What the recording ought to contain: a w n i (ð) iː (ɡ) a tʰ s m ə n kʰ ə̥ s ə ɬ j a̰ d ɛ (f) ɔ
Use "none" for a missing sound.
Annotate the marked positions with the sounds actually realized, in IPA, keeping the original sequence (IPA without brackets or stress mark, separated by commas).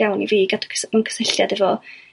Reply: v, ɡ, v